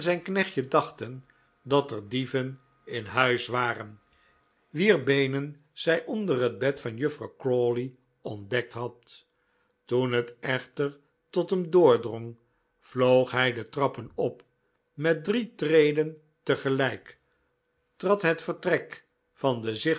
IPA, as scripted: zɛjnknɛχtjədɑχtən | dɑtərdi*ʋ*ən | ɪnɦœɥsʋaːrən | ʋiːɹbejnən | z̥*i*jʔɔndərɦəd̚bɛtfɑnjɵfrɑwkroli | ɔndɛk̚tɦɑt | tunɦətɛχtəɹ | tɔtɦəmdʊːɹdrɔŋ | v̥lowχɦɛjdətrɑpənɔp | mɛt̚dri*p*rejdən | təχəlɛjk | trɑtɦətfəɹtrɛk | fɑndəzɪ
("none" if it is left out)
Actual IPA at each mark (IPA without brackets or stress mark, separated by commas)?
v, ɛ, t